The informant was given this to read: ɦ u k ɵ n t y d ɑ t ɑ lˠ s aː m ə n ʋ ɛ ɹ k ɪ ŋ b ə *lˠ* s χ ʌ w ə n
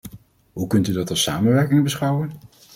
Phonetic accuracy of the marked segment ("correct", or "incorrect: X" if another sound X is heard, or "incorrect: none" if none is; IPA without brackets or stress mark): incorrect: none